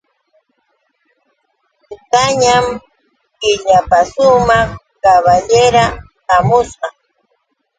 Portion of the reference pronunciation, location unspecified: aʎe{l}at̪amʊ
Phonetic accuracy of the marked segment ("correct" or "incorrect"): incorrect